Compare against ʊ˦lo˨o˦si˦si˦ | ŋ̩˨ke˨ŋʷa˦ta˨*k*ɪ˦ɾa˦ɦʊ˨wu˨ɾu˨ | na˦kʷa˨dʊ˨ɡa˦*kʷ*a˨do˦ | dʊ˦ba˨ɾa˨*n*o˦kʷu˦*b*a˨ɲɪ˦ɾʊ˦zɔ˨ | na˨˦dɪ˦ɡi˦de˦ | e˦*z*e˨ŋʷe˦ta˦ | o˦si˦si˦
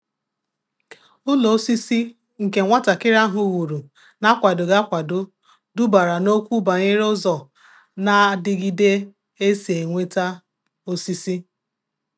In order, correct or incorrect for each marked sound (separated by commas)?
correct, correct, correct, correct, incorrect